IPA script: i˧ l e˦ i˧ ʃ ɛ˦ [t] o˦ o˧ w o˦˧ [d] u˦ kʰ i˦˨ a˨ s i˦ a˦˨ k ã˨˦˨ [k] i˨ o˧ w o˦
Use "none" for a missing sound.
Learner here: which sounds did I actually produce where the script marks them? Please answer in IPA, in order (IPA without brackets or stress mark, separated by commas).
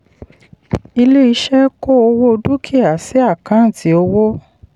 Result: k, d, t